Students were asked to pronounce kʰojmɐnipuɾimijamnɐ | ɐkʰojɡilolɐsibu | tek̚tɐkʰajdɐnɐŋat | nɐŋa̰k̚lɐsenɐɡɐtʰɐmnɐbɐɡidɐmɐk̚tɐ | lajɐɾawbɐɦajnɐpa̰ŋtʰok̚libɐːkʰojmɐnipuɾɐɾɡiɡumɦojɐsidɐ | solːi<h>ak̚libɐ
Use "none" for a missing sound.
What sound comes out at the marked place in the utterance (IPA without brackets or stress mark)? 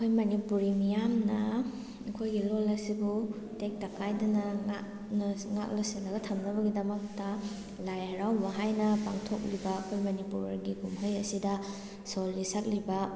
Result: s